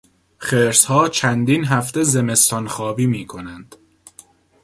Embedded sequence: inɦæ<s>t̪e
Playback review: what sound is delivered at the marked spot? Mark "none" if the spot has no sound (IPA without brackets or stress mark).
f